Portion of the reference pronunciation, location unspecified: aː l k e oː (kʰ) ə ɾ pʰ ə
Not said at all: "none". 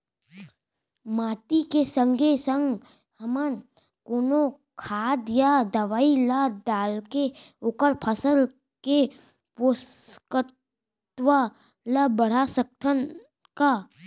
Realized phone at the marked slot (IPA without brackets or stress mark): k